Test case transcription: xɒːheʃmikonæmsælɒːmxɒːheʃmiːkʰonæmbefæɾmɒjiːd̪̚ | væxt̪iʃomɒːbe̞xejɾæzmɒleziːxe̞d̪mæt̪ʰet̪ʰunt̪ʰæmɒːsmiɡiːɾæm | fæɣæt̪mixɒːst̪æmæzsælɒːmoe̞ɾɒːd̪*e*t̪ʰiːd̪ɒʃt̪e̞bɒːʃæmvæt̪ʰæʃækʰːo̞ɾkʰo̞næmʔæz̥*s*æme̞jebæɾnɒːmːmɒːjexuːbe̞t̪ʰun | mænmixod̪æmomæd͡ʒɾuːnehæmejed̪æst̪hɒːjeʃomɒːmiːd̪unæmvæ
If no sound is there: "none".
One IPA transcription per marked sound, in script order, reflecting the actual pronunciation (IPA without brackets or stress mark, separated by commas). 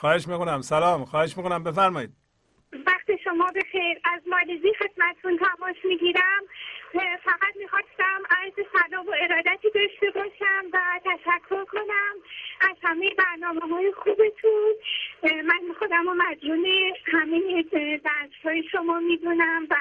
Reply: æ, h